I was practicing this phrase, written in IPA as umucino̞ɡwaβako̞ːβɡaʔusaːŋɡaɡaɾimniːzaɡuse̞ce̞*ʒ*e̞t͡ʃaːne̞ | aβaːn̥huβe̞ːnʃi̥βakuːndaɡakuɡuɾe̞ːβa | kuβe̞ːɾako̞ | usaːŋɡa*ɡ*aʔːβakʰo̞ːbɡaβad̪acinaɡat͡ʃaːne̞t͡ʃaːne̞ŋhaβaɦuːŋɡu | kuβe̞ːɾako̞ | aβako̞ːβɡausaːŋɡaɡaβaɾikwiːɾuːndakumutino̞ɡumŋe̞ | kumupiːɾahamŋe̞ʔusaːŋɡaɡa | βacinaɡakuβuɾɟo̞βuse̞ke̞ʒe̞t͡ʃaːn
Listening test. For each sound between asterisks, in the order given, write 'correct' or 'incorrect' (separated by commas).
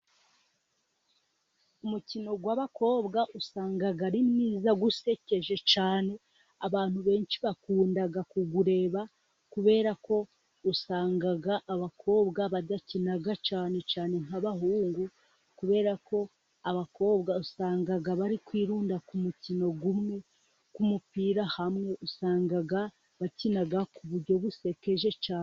correct, correct